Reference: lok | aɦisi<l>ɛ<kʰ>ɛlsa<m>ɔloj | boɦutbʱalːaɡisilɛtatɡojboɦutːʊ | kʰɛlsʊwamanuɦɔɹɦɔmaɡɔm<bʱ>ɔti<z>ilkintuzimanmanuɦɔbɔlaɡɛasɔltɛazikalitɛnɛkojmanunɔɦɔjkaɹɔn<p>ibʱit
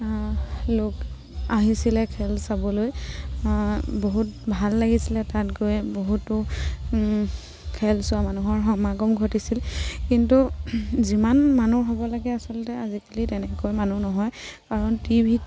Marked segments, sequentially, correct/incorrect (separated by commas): correct, correct, incorrect, incorrect, incorrect, incorrect